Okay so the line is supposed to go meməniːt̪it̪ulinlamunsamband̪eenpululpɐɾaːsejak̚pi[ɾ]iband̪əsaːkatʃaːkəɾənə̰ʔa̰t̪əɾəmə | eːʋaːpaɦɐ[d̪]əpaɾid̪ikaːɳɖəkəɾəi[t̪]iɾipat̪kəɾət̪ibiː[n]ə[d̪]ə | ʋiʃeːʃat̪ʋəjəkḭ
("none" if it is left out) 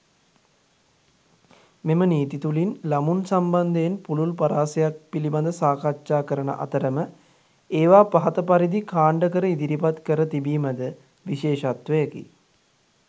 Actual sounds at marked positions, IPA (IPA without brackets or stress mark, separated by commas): l, t̪, d̪, m, d̪